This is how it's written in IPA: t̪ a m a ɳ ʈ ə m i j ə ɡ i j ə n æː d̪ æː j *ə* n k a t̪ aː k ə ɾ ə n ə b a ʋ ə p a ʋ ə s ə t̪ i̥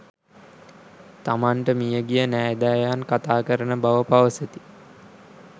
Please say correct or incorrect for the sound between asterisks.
incorrect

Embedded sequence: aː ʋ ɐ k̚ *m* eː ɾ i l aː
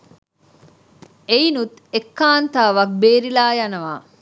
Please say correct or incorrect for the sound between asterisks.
incorrect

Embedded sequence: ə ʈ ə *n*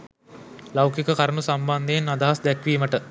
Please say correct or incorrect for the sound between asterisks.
incorrect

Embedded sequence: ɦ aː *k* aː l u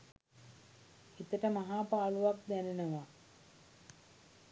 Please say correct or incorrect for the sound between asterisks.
incorrect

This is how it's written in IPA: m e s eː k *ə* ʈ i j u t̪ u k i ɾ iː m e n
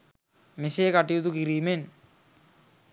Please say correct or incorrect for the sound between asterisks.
incorrect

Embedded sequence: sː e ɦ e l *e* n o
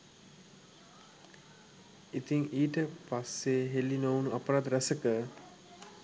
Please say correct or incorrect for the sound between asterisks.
incorrect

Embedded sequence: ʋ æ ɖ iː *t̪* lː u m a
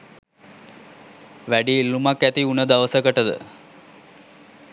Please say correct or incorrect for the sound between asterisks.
incorrect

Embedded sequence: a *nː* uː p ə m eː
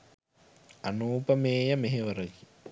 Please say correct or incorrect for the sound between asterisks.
incorrect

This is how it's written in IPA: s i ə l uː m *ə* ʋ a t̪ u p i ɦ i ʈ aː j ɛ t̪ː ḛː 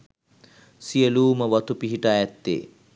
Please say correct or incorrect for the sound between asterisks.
correct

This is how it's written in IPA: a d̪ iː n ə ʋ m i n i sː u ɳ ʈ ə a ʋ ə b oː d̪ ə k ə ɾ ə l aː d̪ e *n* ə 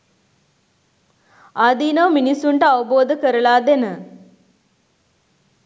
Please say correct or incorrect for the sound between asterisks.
correct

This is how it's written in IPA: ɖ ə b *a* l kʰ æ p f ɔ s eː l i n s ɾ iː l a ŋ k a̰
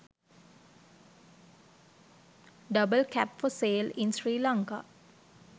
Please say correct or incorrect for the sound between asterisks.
incorrect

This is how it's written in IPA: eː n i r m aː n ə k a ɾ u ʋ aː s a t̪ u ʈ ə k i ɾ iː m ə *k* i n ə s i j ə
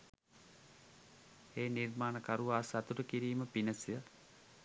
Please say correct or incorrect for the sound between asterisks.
incorrect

